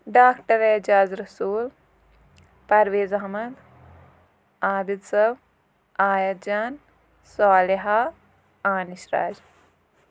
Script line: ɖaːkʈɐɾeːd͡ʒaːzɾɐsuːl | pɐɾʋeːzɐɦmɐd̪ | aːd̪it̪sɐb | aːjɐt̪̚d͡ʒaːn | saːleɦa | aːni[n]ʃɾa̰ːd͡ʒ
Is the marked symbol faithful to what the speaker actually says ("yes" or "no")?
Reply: no